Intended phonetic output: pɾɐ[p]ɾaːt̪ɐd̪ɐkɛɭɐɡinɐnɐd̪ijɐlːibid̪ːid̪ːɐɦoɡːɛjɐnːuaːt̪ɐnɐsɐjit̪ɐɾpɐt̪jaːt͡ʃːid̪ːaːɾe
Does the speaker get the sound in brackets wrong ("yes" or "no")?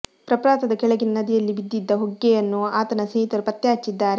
no